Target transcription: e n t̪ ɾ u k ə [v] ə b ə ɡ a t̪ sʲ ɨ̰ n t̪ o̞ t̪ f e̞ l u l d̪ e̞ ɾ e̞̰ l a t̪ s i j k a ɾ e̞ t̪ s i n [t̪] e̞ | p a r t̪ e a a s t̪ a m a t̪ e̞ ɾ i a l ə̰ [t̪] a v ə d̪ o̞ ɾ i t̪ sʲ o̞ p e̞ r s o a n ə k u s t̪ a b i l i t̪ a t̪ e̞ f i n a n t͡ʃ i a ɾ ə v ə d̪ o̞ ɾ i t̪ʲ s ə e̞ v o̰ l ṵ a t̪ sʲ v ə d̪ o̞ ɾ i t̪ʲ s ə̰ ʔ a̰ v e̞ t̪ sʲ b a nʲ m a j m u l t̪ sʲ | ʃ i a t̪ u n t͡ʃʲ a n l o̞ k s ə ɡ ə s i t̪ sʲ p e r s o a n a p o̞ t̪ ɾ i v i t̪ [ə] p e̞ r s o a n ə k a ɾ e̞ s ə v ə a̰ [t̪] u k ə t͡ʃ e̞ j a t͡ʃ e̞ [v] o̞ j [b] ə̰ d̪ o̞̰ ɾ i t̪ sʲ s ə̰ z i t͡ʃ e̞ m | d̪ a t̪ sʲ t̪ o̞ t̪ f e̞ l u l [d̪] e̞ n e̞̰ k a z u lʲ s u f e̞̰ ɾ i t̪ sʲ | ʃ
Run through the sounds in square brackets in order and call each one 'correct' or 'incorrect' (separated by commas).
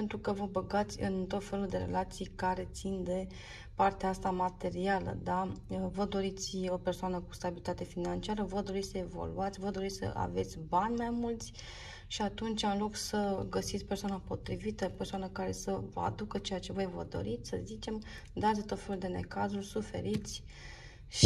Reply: correct, incorrect, incorrect, correct, incorrect, correct, incorrect, correct